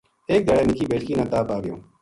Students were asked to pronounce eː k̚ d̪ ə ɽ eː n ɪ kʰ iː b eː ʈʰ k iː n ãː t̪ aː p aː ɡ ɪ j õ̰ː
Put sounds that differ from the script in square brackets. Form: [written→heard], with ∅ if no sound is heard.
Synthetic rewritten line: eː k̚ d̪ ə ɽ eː n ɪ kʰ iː b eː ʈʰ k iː n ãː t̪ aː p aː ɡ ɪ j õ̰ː